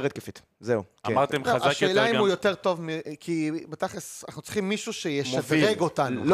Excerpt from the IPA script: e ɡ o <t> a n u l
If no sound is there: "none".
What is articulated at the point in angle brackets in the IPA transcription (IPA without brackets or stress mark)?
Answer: t